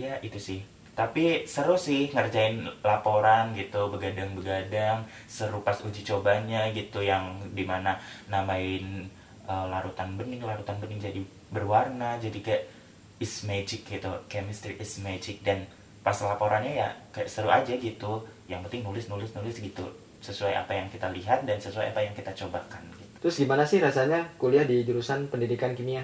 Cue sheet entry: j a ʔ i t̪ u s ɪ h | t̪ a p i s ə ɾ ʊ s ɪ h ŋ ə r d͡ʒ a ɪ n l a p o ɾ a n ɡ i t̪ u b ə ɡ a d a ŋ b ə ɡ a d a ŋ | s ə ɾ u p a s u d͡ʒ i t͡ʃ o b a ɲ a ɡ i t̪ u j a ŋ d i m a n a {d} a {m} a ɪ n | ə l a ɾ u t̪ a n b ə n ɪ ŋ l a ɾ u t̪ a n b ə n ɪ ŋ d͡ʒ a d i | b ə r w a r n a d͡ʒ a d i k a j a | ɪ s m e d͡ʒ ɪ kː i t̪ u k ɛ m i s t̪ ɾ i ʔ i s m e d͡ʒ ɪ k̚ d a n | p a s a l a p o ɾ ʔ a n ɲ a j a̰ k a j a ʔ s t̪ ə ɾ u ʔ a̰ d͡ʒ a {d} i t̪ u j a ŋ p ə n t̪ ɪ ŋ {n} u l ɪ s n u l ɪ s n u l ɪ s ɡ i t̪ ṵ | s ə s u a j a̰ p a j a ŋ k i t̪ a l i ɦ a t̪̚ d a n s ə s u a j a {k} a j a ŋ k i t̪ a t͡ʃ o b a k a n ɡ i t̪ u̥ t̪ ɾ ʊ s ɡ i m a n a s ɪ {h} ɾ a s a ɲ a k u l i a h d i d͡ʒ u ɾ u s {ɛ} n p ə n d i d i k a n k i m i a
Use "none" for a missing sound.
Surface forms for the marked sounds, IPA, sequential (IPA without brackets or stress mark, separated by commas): n, m, ɡ, n, p, h, a